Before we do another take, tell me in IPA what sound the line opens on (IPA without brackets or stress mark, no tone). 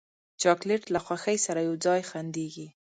t͡ʃ